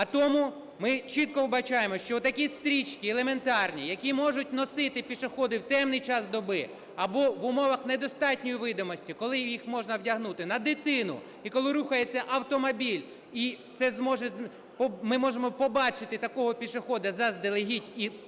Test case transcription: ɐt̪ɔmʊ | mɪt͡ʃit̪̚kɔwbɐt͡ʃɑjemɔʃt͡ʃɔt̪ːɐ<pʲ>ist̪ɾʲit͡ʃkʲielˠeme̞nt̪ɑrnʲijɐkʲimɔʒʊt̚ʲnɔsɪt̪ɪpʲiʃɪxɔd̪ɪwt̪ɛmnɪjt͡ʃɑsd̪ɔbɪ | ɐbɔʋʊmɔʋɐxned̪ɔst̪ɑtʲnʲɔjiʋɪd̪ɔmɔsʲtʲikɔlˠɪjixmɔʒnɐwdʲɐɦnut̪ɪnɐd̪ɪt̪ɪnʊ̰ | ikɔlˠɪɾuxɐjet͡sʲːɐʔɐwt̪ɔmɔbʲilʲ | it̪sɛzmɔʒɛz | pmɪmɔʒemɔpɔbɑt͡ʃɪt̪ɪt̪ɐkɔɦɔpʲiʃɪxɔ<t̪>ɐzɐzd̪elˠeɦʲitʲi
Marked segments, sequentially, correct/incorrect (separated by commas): incorrect, incorrect